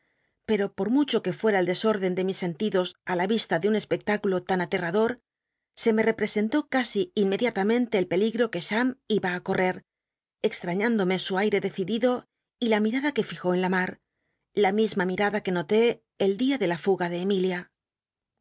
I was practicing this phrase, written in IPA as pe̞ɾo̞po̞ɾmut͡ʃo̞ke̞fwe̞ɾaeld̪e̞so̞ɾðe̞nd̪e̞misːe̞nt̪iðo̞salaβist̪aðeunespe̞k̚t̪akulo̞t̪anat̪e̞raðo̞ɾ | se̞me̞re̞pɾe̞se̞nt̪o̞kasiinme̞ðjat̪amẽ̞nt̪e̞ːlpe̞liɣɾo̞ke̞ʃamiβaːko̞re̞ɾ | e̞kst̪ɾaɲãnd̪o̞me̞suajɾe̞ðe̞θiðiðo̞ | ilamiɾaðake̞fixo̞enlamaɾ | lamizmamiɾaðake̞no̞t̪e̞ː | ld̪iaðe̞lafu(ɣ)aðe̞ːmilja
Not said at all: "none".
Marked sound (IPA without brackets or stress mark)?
ɣ